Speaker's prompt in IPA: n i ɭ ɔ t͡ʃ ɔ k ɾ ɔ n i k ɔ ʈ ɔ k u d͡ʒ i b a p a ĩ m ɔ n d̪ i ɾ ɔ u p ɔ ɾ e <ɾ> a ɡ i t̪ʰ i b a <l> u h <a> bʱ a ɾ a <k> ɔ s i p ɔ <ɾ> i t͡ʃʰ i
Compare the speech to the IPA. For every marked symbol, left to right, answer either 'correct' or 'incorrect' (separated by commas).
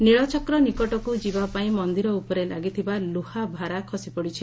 incorrect, correct, correct, incorrect, incorrect